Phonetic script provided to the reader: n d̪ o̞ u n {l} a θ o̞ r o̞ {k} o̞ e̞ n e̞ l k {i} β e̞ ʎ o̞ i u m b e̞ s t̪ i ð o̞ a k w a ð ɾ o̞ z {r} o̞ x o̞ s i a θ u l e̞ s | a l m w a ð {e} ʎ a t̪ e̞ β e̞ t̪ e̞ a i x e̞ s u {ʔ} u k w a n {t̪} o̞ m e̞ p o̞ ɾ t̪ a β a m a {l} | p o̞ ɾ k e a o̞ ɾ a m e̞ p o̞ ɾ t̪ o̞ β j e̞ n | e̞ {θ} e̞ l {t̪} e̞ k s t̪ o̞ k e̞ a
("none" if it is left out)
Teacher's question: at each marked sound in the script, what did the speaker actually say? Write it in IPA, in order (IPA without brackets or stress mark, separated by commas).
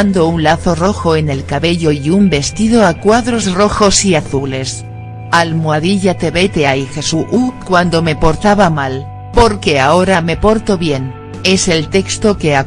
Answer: l, x, a, r, i, ʔ, d̪, l, s, t̪